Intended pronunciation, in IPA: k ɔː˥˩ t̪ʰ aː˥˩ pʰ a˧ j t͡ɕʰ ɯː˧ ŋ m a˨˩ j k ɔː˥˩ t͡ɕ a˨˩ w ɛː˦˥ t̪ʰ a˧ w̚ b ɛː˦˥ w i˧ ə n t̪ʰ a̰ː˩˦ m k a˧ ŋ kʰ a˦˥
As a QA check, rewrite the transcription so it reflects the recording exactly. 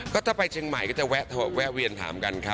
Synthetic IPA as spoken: k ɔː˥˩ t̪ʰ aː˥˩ p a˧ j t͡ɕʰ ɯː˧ ŋ m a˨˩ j k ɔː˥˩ t͡ɕ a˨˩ w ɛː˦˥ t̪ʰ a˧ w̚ w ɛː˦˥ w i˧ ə n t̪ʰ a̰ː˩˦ m k a˧ n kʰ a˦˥

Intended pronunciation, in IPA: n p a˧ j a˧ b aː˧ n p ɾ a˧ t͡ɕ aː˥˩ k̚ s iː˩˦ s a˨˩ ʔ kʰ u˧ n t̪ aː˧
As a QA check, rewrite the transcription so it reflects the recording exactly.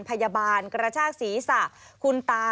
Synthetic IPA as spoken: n pʰ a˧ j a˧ b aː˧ n k ɾ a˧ t͡ɕʰ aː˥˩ k̚ s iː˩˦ s a˨˩ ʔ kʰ u˧ n t̪ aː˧

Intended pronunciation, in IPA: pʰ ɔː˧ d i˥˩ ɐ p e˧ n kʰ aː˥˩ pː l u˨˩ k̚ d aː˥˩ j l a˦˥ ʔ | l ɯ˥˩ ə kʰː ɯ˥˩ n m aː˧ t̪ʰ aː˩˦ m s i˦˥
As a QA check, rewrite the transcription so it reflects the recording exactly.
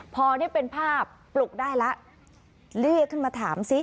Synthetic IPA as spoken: pʰ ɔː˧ n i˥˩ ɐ p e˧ n pʰ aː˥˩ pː l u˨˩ k̚ d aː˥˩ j l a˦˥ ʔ | l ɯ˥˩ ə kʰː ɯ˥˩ n m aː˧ t̪ʰ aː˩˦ m s i˦˥

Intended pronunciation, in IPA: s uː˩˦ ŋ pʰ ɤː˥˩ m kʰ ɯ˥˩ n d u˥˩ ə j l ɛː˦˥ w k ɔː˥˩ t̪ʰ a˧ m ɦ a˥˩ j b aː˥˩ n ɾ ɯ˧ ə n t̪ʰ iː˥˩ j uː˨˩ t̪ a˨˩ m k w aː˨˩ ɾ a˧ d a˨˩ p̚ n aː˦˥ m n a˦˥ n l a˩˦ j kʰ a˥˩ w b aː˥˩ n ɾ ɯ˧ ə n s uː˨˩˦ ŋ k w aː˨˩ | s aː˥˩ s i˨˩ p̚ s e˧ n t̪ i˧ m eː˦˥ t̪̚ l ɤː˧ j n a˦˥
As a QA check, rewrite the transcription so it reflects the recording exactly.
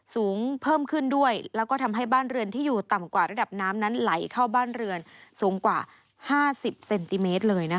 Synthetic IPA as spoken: s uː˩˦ ŋ pʰ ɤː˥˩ m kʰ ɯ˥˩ n d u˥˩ ə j l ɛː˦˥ w k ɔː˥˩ t̪ʰ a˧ m ɦ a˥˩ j b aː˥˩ n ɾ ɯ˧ ə n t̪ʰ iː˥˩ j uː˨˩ t̪ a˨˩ m k w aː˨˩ ɾ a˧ d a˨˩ p̚ n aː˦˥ m n a˦˥ n l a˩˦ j kʰ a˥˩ w b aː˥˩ n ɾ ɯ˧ ə n s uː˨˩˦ ŋ k w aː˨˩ | h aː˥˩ s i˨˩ p̚ s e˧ n t̪ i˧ m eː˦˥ t̪̚ l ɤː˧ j n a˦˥

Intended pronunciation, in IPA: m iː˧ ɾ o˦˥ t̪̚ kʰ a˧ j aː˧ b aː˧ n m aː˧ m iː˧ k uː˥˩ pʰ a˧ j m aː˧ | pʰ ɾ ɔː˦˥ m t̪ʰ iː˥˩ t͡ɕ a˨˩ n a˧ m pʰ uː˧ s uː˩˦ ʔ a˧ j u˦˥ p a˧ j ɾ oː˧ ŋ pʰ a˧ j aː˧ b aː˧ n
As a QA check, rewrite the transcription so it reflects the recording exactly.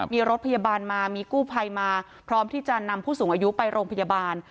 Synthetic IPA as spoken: m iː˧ ɾ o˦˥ t̪̚ pʰ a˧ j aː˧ b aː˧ n m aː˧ m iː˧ k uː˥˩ pʰ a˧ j m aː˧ | pʰ ɾ ɔː˦˥ m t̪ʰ iː˥˩ t͡ɕ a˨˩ n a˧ m pʰ uː˥˩ s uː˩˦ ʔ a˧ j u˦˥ p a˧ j ɾ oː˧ ŋ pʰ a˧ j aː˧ b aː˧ n

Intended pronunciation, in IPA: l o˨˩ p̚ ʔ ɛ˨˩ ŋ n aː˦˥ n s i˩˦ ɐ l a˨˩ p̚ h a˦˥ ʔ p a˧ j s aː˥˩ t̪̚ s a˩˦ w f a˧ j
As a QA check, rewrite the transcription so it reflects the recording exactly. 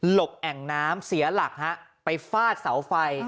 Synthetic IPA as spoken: l o˨˩ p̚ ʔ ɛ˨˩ ŋ n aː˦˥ m s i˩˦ ɐ l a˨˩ k̚ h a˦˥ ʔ p a˧ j f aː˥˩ t̪̚ s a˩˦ w f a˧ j

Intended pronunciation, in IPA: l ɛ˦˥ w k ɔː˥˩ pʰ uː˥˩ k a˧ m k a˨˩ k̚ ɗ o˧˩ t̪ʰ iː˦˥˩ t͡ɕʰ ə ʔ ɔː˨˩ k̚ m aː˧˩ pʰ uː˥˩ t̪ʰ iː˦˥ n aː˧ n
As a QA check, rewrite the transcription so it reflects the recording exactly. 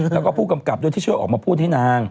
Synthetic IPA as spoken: l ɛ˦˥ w k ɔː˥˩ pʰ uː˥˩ k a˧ m k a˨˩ p̚ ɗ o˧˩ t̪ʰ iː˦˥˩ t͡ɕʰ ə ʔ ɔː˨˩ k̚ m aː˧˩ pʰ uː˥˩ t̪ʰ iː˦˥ n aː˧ ŋ

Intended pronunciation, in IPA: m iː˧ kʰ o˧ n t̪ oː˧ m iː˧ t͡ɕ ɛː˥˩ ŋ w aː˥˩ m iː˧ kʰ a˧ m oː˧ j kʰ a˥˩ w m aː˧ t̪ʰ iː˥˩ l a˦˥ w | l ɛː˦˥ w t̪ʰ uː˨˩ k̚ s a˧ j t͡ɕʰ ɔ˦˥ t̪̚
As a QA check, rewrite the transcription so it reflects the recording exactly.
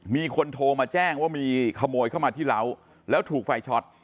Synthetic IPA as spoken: m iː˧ kʰ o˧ n t̪ʰ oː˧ m aː˧ t͡ɕ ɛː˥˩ ŋ w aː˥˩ m iː˧ kʰ a˧ m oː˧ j kʰ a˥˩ w m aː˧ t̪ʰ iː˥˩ l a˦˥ w | l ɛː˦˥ w t̪ʰ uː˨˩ k̚ f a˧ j t͡ɕʰ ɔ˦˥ t̪̚

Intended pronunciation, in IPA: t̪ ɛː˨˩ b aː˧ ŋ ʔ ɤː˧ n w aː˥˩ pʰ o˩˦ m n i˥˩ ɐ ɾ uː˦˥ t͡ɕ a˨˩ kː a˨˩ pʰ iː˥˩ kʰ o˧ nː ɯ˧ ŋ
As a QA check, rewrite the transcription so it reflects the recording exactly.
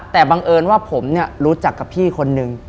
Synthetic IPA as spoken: t̪ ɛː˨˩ b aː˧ ŋ ʔ ɤː˧ n w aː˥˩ pʰ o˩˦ m n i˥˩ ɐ ɾ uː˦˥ t͡ɕ a˨˩ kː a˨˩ pʰ iː˥˩ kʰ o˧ nː ɯ˧ ŋ

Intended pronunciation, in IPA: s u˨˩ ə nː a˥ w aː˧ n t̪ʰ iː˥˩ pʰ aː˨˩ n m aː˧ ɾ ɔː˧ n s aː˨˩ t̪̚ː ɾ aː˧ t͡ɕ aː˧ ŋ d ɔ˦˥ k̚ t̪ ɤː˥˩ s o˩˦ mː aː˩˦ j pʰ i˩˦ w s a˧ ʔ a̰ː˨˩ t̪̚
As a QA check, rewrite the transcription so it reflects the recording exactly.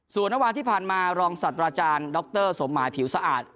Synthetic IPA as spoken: s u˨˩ ə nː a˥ w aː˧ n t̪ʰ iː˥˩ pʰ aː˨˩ n m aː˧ ɾ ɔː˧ ŋ s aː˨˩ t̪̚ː ɾ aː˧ t͡ɕ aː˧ n d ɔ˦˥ k̚ t̪ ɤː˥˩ s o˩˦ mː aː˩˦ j pʰ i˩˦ w s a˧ ʔ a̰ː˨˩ t̪̚

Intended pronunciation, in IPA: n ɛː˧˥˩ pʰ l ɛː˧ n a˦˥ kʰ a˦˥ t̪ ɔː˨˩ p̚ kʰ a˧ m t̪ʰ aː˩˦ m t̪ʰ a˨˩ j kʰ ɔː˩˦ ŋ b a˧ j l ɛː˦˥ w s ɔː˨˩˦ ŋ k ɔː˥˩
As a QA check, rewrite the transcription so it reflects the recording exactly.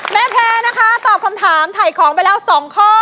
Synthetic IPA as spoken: m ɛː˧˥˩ pʰ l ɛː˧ n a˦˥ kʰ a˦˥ t̪ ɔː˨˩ p̚ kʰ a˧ m t̪ʰ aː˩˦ m t̪ʰ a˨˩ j kʰ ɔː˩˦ ŋ p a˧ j l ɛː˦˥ w s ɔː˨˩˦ ŋ kʰ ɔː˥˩

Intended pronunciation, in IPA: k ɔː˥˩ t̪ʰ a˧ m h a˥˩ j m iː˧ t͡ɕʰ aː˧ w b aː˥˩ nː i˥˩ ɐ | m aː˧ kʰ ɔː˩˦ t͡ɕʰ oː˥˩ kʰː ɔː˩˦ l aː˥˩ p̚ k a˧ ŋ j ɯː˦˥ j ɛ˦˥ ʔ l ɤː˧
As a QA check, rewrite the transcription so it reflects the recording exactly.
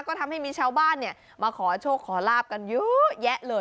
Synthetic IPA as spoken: k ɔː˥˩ t̪ʰ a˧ m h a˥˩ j m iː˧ t͡ɕʰ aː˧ w b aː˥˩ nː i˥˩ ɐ | m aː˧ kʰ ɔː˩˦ t͡ɕʰ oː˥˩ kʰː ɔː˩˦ l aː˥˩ p̚ k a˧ n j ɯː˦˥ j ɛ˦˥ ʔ l ɤː˧

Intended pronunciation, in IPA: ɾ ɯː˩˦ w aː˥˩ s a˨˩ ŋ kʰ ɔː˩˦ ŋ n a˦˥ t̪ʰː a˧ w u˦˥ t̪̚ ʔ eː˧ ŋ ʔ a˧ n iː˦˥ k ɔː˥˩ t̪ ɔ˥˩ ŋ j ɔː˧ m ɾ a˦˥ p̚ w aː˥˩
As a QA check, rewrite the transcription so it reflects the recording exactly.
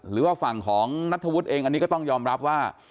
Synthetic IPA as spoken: ɾ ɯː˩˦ w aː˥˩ f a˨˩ ŋ kʰ ɔː˩˦ ŋ n a˦˥ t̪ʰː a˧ w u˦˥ t̪̚ ʔ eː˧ ŋ ʔ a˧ n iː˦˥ k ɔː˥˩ t̪ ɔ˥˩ ŋ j ɔː˧ m ɾ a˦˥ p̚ w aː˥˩

